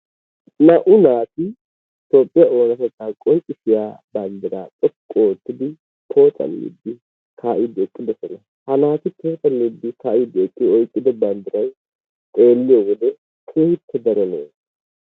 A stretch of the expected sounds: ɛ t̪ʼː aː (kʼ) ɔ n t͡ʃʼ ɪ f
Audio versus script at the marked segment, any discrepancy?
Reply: no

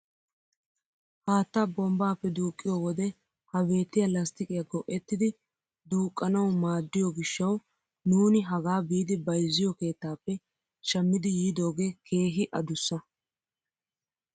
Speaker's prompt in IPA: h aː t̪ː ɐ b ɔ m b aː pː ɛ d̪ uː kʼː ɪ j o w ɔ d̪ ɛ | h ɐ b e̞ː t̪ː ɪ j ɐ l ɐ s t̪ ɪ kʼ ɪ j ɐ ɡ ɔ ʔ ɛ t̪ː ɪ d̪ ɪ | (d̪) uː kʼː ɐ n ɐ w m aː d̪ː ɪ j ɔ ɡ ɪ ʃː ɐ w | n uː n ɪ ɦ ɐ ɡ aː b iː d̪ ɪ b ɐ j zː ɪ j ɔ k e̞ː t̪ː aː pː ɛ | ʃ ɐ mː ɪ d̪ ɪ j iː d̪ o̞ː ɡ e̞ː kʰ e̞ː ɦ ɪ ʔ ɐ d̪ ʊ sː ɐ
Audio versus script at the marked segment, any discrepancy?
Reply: no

